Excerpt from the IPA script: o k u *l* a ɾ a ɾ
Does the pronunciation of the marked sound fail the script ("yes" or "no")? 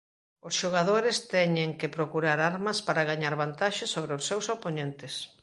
yes